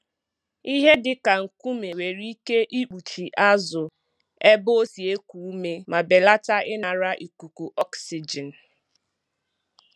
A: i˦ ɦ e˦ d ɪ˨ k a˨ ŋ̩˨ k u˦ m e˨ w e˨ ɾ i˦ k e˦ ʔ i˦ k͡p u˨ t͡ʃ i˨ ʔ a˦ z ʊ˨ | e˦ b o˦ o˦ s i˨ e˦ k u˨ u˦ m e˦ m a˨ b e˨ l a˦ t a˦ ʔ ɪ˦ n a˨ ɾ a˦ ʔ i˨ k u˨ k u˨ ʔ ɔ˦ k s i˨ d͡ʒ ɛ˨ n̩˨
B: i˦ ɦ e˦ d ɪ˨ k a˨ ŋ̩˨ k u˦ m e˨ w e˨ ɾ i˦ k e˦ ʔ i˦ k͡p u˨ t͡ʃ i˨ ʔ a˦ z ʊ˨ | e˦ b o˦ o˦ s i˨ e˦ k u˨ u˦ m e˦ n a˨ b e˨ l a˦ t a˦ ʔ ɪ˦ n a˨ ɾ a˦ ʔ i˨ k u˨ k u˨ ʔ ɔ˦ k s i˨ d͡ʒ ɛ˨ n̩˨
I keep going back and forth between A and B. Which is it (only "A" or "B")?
A